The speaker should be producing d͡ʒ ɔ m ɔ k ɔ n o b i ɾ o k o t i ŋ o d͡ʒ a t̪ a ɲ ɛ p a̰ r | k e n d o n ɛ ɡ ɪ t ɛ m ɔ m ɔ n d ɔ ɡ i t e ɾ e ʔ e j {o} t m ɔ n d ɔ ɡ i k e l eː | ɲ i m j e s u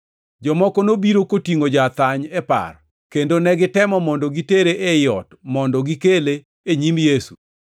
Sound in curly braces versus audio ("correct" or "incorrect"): incorrect